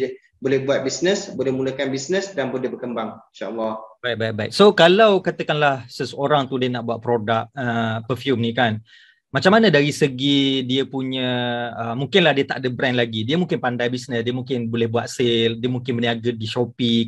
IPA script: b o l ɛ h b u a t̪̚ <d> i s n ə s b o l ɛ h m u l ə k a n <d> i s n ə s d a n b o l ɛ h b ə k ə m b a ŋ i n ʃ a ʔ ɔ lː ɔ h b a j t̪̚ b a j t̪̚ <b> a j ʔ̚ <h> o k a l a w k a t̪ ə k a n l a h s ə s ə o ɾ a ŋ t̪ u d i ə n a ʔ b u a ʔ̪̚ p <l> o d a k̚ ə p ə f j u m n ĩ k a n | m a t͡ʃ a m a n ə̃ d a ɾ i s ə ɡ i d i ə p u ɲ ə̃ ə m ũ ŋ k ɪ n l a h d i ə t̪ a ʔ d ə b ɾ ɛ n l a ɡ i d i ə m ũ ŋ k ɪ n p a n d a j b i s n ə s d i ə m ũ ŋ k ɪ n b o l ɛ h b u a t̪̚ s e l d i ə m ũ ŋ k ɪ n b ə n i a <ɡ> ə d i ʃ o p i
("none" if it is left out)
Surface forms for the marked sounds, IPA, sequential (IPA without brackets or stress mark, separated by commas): b, b, b, s, ɾ, ɡ